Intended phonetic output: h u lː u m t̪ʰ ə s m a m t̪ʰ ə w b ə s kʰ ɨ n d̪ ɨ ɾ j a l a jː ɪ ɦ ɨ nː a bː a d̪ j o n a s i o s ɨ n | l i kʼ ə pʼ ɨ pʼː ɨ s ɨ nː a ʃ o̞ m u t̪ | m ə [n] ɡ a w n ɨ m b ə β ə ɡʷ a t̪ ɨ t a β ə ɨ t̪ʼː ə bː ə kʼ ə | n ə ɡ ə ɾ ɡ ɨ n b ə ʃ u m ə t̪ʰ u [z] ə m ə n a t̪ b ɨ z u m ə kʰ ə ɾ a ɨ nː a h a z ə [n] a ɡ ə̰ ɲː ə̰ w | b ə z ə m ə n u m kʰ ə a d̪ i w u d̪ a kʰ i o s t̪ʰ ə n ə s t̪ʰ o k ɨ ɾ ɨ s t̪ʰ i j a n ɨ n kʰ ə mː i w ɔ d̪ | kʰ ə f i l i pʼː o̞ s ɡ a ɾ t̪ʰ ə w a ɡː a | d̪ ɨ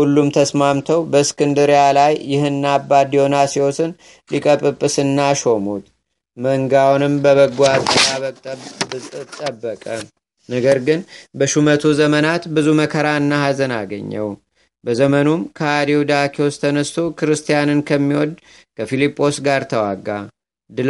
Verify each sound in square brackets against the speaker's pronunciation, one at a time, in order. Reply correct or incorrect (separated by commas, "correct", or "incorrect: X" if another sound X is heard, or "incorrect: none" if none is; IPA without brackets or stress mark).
incorrect: ŋ, correct, correct